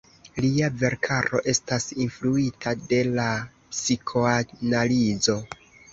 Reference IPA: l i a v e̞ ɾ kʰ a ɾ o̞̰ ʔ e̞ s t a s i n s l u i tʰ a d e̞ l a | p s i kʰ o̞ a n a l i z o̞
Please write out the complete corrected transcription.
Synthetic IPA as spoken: l i a v e̞ ɾ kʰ a ɾ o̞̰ ʔ e̞ s t a s i n f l u i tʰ a d e̞ l a | p s i kʰ o̞ a n a l i z o̞